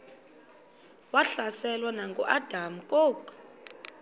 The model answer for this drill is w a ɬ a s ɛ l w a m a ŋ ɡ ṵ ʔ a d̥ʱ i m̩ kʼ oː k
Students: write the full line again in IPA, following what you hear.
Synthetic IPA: w a ɬ a s ɛ l w a n a ŋ ɡ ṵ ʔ a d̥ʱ a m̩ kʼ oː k